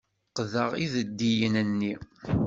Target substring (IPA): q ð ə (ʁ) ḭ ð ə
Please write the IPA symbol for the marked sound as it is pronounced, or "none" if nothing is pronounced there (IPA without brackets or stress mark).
ʁ